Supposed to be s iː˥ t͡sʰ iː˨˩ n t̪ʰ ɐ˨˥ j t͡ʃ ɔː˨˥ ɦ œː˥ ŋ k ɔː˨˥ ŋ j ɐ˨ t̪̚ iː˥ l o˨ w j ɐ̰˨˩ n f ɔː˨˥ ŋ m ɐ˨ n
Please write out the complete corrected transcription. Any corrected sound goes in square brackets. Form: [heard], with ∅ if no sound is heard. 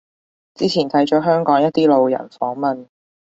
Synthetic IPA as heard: [t͡s] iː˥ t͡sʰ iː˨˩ n t̪ʰ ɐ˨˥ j t͡ʃ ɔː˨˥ ɦ œː˥ ŋ k ɔː˨˥ ŋ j [ɐ˥] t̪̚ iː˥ l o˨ w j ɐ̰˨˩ n f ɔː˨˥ ŋ m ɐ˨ n